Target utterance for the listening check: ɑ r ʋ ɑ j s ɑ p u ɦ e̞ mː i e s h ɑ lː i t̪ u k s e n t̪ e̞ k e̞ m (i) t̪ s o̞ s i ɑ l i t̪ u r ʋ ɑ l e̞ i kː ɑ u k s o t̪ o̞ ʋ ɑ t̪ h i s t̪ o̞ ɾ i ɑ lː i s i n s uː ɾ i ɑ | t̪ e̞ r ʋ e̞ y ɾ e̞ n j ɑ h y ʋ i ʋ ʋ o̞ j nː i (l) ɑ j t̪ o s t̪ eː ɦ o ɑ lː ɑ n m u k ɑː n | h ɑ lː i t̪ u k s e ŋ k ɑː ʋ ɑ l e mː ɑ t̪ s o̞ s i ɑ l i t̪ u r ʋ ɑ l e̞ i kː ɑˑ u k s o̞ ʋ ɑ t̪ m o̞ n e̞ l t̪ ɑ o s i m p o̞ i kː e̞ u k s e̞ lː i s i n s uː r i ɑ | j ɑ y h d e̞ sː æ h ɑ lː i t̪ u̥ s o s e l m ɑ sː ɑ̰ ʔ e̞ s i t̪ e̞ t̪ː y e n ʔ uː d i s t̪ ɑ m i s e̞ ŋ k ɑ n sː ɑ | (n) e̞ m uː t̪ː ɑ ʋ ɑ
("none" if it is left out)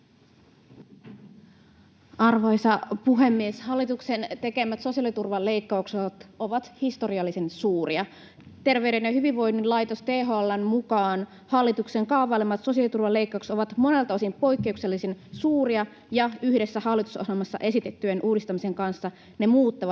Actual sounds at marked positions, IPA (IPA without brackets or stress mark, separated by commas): æ, l, n